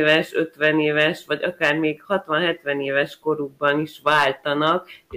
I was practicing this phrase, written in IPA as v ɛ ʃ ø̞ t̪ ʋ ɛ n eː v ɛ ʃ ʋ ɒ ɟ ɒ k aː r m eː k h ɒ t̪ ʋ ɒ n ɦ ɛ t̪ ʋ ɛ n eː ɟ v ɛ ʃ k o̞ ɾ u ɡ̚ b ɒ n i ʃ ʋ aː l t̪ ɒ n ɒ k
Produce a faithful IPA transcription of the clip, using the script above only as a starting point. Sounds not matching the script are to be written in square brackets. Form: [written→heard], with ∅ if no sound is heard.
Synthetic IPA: v ɛ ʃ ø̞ t̪ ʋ ɛ n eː v ɛ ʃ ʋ ɒ ɟ ɒ k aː r m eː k h ɒ t̪ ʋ ɒ n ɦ ɛ t̪ ʋ ɛ n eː [ɟ→∅] v ɛ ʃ k o̞ ɾ u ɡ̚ b ɒ n i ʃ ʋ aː l t̪ ɒ n ɒ k